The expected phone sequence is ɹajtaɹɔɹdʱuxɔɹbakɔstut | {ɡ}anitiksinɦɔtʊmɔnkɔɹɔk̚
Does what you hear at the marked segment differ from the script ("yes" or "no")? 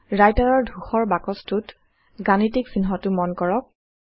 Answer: no